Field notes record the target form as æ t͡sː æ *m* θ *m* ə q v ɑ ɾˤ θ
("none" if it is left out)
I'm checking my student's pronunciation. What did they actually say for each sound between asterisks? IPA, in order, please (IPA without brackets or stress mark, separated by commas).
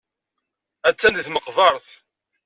n, m